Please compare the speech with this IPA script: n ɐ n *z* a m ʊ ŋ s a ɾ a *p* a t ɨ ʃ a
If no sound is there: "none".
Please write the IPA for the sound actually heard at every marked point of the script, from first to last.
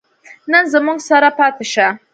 z, p

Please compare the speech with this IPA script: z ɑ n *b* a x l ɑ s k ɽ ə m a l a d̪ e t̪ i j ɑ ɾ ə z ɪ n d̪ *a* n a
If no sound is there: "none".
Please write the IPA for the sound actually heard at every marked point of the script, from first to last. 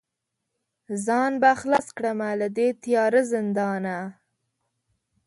b, ɑ

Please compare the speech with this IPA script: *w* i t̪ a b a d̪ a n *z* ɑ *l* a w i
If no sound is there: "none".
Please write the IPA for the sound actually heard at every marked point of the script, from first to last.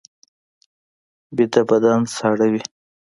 b, s, ɽ

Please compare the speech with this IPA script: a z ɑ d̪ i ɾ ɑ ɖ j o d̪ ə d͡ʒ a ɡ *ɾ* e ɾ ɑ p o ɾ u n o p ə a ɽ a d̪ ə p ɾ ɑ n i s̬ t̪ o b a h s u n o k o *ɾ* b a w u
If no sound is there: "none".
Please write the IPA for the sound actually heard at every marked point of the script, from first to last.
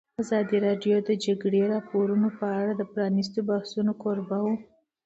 ɽ, ɾ

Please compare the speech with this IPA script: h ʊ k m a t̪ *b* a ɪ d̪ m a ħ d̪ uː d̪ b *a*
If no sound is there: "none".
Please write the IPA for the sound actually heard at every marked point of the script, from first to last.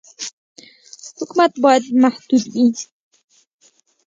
b, i

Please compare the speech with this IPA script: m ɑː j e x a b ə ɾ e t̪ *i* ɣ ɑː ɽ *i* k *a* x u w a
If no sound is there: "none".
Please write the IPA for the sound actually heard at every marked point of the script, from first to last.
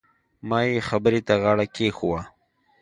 a, a, e

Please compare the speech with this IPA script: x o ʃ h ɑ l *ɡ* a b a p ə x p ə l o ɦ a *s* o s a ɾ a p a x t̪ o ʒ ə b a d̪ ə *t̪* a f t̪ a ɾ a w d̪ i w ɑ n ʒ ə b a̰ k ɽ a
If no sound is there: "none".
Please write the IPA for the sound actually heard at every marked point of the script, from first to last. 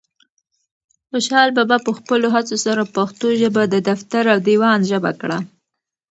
b, t͡s, d̪

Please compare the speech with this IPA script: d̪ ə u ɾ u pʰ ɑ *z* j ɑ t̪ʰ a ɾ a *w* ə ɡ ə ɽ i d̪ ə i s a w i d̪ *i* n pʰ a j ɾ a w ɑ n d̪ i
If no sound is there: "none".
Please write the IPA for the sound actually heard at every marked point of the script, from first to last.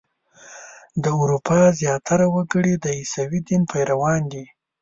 z, w, i

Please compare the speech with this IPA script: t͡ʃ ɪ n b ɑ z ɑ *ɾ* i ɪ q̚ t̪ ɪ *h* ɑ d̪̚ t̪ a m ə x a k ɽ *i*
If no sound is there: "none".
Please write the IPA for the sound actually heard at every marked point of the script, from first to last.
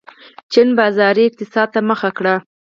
ɾ, s, a

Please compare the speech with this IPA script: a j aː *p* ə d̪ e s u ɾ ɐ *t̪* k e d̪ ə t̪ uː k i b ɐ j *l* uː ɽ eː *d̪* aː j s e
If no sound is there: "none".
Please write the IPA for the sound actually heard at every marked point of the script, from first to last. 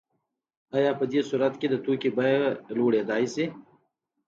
p, t̪, l, d̪

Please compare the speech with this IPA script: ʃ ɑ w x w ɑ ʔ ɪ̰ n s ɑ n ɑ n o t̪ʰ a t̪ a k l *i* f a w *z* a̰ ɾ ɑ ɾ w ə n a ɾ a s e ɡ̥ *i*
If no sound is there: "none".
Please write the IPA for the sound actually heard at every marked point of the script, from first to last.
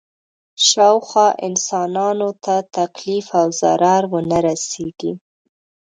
i, z, i

